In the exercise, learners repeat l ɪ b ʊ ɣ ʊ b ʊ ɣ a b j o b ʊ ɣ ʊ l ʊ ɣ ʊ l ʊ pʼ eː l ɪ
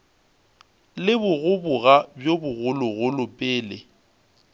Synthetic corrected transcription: l ɪ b ʊ ɣ ʊ b ʊ ɣ a b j o b ʊ ɣ ʊ l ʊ ɣ ʊ l ʊ pʼ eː l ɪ